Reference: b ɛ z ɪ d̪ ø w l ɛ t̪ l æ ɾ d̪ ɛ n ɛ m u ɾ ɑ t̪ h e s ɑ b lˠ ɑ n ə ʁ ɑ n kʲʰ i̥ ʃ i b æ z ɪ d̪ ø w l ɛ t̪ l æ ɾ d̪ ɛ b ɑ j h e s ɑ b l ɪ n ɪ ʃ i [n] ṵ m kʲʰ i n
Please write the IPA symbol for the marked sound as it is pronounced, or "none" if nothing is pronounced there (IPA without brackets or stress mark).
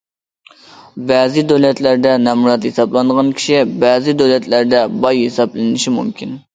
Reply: m